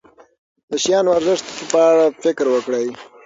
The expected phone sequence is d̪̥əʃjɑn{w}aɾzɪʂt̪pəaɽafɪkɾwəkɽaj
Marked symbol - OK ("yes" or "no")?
yes